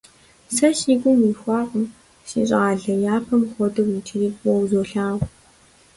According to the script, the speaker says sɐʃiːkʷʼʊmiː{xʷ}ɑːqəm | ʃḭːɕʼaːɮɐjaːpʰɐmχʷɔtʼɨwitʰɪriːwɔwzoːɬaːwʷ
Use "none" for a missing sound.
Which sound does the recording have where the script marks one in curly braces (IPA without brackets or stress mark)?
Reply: xʷ